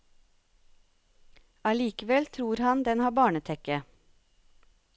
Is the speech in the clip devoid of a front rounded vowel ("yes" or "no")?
yes